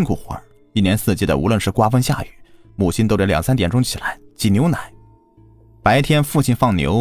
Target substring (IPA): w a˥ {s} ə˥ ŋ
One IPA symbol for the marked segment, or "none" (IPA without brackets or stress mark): f